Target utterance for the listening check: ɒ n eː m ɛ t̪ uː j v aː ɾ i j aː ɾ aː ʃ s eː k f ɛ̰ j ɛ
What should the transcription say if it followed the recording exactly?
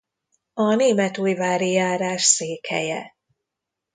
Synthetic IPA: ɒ n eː m ɛ t̪ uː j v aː ɾ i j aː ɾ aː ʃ s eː k h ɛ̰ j ɛ